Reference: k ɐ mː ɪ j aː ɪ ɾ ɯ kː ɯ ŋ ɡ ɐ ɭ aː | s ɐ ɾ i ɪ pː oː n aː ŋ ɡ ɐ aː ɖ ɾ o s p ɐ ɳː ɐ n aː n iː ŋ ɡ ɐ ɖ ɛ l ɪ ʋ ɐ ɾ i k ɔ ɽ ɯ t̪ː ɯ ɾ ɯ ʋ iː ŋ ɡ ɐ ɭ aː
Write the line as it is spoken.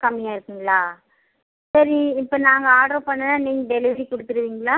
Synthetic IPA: k ɐ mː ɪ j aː ɪ ɾ ɯ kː ɯ ŋ ɡ ɐ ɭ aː | s ɐ ɾ i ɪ pː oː n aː ŋ ɡ ɐ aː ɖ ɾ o p ɐ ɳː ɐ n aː n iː ŋ ɡ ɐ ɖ ɛ l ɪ ʋ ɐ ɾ i k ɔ ɽ ɯ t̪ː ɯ ɾ ɯ ʋ iː ŋ ɡ ɐ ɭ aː

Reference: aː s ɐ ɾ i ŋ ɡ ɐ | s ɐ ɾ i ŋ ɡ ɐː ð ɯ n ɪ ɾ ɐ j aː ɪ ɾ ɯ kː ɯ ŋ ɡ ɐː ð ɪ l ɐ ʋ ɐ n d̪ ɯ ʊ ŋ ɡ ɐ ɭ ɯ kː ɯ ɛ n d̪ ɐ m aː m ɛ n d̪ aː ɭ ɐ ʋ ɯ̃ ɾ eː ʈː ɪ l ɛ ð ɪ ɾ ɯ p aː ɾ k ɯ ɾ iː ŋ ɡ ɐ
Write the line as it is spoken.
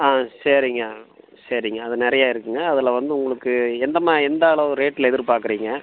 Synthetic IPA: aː s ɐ ɾ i ŋ ɡ ɐ | s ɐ ɾ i ŋ ɡ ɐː ð ɯ n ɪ ɾ ɐ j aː ɪ ɾ ɯ kː ɯ ŋ ɡ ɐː ð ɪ l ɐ ʋ ɐ n d̪ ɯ ʊ ŋ ɡ ɐ ɭ ɯ kː ɯ ɛ n d̪ ɐ m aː ɛ n d̪ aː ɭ ɐ ʋ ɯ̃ ɾ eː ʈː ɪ l ɛ ð ɪ ɾ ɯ p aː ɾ k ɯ ɾ iː ŋ ɡ ɐ

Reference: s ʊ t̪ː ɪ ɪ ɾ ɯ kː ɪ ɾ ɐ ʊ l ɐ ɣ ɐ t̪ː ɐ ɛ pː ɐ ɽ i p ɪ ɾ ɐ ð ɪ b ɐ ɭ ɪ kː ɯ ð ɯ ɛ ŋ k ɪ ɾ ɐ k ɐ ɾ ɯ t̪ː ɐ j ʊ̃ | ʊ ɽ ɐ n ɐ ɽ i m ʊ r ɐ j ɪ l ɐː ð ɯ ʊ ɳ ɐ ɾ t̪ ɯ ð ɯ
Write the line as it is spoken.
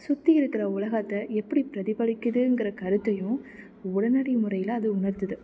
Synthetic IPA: s ʊ t̪ː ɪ ɪ ɾ ɯ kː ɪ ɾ ɐ ʊ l ɐ ɣ ɐ t̪ː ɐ ɛ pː ɐ ɽ i p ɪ ɾ ɐ ð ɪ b ɐ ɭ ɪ kː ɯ ð ɯ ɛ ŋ ɡ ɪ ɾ ɐ k ɐ ɾ ɯ t̪ː ɐ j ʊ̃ | ʊ ɽ ɐ n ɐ ɽ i m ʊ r ɐ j ɪ l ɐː ð ɯ ʊ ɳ ɐ ɾ t̪ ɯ ð ɯ

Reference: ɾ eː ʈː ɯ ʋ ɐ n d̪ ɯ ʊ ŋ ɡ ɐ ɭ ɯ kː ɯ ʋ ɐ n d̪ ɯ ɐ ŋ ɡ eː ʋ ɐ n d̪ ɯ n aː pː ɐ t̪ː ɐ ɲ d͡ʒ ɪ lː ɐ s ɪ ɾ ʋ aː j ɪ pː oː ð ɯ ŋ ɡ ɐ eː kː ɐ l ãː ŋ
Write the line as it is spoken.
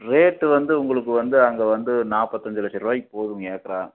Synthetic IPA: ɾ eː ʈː ɯ ʋ ɐ n d̪ ɯ ʊ ŋ ɡ ɐ ɭ ɯ kː ɯ ʋ ɐ n d̪ ɯ ɐ ŋ ɡ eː ʋ ɐ n d̪ ɯ n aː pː ɐ t̪ː ɐ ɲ d͡ʒ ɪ l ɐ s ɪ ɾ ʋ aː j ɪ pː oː ð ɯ ŋ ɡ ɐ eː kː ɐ ɾ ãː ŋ

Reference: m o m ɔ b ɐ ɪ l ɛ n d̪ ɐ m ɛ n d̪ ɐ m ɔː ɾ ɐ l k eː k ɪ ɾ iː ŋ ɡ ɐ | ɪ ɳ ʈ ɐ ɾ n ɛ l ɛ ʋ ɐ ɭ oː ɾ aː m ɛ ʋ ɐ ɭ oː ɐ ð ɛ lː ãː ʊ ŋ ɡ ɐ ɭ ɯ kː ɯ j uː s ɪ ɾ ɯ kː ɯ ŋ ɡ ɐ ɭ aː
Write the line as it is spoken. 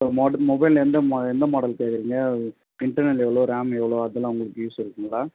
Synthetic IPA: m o m ɔ b ɐ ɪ l ɛ n d̪ ɐ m ɛ n d̪ ɐ m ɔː ɽ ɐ l k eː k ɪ ɾ iː ŋ ɡ ɐ | ɪ ɳ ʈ ɐ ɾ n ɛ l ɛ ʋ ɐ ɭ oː ɾ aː m ɛ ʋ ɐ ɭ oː ɐ ð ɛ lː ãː ʊ ŋ ɡ ɐ ɭ ɯ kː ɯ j uː s ɪ ɾ ɯ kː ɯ ŋ ɡ ɐ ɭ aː

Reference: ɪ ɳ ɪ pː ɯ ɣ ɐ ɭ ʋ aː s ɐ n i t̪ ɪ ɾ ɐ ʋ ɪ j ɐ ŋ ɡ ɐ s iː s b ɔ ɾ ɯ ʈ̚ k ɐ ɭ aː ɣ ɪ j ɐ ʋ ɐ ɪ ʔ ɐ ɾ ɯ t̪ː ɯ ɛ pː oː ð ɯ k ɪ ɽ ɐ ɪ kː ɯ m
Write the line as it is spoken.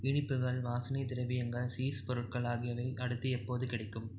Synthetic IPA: ɪ ɳ ɪ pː ɯ ɣ ɐ ɭ ʋ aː s ɐ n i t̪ ɪ ɾ ɐ ʋ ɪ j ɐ ŋ ɡ ɐ s iː s p ɔ ɾ ɯ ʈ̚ k ɐ ɭ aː ɣ ɪ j ɐ ʋ ɐ ɪ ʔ ɐ ɽ ɯ t̪ː ɯ ɛ pː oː ð ɯ k ɪ ɽ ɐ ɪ kː ɯ m

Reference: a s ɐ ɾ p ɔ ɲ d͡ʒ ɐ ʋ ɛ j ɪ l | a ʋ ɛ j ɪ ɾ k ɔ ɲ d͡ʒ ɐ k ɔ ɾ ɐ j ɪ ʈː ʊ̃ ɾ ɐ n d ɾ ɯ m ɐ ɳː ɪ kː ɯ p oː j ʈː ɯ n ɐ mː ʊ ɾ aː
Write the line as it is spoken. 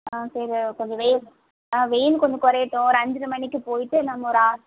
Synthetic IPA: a s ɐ ɾ k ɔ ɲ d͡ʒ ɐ ʋ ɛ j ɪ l | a ʋ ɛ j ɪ l k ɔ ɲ d͡ʒ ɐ k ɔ ɾ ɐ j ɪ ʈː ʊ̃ ɾ ɐ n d ɾ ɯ m ɐ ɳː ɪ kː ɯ p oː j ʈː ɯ n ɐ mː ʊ ɾ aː

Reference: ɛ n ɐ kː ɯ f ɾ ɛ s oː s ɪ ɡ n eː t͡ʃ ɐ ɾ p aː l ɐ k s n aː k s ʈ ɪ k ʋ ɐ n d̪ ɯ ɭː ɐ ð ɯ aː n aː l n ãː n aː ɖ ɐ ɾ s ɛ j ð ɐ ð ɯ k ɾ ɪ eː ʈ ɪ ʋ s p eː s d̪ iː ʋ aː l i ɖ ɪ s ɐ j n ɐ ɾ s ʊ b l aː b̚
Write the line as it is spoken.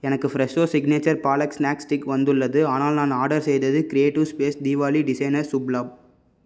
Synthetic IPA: ɛ n ɐ kː ɯ f ɾ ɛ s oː s ɪ ɡ n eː t͡ʃ ɐ ɾ p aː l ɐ k s n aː k s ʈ ɪ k ʋ ɐ n d̪ ɯ ɭː ɐ ð ɯ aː n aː l n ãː n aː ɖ ɐ ɾ s ɛ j ð ɐ ð ɯ k ɾ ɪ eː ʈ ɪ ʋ s p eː s d̪ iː ʋ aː l i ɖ ɪ s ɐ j n ɐ ɾ s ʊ b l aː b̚

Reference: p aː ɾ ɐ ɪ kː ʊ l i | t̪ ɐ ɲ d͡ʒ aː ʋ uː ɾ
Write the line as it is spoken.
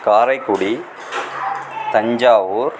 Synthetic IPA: k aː ɾ ɐ ɪ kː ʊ ɽ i | t̪ ɐ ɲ d͡ʒ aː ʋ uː ɾ

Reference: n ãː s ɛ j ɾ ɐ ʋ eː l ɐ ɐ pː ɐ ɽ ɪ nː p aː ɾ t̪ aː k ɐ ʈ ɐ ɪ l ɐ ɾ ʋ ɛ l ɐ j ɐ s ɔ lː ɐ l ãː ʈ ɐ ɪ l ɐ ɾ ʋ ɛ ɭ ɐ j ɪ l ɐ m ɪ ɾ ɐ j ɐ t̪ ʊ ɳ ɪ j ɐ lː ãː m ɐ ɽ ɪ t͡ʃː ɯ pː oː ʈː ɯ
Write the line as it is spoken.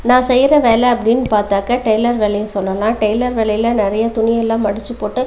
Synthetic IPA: n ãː s ɛ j ɾ ɐ ʋ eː l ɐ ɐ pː ɐ ɽ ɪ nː p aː ɾ t̪ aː k ɐ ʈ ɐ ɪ l ɐ ɾ ʋ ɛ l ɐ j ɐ s ɔ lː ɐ l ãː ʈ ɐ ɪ l ɐ ɾ ʋ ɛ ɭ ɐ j ɪ l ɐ n ɪ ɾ ɐ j ɐ t̪ ʊ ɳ ɪ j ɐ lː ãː m ɐ ɽ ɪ t͡ʃː ɯ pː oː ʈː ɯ

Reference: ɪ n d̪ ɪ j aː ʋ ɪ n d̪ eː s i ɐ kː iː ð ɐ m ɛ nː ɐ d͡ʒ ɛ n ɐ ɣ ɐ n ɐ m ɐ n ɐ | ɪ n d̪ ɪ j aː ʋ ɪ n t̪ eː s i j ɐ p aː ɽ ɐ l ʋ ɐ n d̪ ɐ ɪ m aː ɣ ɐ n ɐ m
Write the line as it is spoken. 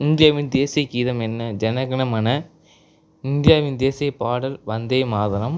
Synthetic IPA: ɪ n d̪ ɪ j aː ʋ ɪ n d̪ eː s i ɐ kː iː ð ɐ m ɛ nː ɐ d͡ʒ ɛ n ɐ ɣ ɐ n ɐ m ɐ n ɐ | ɪ n d̪ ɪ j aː ʋ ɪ n d̪ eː s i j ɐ p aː ɽ ɐ l ʋ ɐ n d̪ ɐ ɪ m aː ð ɐ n ɐ m

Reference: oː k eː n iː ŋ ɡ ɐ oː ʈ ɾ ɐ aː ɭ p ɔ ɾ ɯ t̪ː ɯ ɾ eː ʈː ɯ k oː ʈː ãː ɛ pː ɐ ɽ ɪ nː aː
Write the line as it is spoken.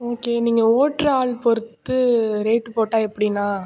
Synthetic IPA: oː k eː n iː ŋ ɡ ɐ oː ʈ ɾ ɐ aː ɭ p ɔ ɾ ɯ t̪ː ɯ ɾ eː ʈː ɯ p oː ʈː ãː ɛ pː ɐ ɽ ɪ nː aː

